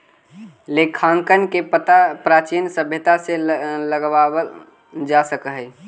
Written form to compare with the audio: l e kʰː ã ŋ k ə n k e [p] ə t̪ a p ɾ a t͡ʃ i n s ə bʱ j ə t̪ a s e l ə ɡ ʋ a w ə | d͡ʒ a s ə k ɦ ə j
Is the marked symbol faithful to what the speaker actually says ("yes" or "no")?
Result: yes